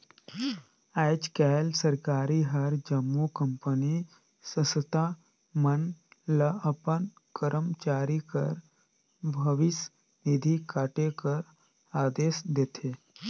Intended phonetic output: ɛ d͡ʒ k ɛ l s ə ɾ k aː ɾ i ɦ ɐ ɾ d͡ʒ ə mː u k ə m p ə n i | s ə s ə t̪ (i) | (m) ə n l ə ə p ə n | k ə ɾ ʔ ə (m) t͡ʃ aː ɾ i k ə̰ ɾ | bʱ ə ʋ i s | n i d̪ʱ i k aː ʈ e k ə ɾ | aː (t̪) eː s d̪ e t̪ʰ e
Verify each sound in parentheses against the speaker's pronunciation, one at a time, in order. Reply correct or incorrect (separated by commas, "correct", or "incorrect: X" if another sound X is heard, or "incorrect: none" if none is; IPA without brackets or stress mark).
incorrect: a, correct, correct, incorrect: d̪